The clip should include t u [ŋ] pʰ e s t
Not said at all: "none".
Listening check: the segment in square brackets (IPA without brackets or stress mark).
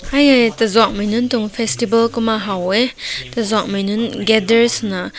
ŋ